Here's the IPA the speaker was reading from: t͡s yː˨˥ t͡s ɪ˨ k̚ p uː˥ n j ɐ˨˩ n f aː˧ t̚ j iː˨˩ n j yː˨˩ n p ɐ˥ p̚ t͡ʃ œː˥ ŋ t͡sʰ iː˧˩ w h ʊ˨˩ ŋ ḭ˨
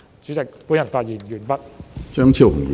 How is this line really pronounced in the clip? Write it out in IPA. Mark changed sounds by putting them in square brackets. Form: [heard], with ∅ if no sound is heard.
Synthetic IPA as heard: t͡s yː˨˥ t͡s ɪ˨ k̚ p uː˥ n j ɐ˨˩ n f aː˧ t̚ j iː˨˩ n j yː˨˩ n p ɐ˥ [t̚] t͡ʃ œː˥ ŋ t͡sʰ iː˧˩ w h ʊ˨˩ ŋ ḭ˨